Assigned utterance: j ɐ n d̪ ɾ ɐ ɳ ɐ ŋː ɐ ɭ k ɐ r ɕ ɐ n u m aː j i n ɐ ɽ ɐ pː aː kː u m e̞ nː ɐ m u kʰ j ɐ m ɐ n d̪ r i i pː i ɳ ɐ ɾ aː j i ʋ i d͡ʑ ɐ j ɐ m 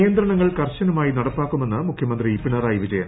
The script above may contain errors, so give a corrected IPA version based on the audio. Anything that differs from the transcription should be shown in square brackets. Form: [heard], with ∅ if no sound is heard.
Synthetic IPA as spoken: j ɐ n d̪ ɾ ɐ ɳ ɐ ŋː ɐ ɭ k ɐ r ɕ ɐ n u m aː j i n ɐ ɽ ɐ pː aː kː u m e̞ nː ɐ m u kʰ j ɐ m ɐ n d̪ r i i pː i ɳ ɐ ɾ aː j i ʋ i d͡ʑ ɐ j ɐ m